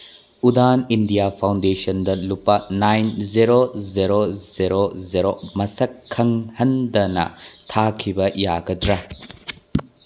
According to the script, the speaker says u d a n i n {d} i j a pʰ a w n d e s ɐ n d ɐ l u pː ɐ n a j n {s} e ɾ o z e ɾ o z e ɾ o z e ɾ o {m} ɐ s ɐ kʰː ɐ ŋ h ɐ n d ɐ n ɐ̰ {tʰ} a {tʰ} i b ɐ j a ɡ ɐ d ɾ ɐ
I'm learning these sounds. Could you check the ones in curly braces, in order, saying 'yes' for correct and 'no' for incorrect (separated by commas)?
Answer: yes, no, yes, yes, no